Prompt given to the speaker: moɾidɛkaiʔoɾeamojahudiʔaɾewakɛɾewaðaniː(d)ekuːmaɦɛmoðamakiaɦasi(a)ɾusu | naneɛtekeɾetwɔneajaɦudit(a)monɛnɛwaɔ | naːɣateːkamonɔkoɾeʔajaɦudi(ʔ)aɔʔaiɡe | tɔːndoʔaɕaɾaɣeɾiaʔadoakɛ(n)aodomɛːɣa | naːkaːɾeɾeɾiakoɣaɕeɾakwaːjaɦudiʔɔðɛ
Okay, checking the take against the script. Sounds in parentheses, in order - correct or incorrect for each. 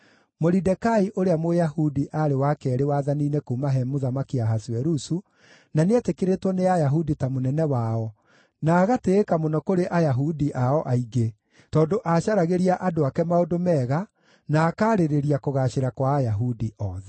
incorrect, incorrect, correct, correct, incorrect

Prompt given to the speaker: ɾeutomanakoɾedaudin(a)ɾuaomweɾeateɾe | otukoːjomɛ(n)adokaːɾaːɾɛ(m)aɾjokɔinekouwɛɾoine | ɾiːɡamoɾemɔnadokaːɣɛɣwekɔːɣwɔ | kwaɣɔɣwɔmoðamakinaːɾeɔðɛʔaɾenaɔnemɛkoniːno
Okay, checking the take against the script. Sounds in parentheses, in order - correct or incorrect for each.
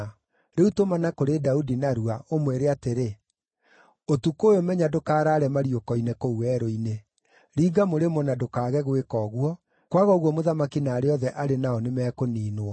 correct, incorrect, correct

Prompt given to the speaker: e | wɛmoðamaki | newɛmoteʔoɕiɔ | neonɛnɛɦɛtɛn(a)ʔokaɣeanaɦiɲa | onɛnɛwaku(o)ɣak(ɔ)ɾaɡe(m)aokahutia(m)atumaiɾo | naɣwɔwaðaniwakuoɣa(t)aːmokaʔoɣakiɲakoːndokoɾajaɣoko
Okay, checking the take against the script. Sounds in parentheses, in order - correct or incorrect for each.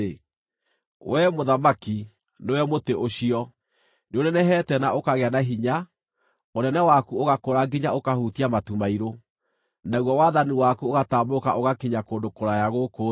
correct, correct, incorrect, incorrect, correct, correct

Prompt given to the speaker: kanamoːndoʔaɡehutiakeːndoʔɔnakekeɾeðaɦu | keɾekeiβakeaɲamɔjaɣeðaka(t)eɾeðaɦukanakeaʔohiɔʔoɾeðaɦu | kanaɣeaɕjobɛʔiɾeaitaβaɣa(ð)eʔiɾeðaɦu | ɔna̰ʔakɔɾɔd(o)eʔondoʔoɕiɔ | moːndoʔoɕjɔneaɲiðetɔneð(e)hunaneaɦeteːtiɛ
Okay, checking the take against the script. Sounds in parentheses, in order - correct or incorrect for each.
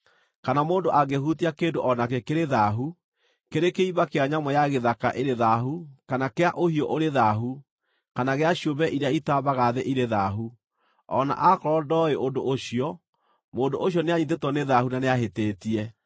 incorrect, correct, incorrect, incorrect

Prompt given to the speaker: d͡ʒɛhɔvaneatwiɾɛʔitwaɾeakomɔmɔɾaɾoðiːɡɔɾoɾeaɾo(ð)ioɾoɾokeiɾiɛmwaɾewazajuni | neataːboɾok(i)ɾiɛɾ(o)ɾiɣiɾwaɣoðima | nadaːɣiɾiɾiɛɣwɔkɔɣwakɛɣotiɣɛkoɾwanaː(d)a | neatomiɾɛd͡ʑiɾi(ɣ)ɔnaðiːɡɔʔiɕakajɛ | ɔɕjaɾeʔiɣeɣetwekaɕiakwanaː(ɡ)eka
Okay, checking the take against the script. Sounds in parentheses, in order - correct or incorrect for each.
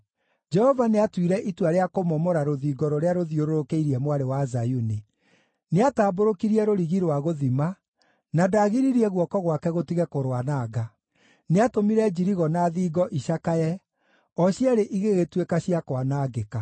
correct, correct, correct, incorrect, correct, correct

